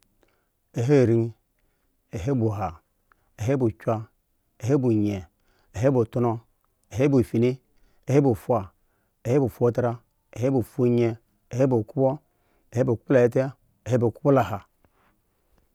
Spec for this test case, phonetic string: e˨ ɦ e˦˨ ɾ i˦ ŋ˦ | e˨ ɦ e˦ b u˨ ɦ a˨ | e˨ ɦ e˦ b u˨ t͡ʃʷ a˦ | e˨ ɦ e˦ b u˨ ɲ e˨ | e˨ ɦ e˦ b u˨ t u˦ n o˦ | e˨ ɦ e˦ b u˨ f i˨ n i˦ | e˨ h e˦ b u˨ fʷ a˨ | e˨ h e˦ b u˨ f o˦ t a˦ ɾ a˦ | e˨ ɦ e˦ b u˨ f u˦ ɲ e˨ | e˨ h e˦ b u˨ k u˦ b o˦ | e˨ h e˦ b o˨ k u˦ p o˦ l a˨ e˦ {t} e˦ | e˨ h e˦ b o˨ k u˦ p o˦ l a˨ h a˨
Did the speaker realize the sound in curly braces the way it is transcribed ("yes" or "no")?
yes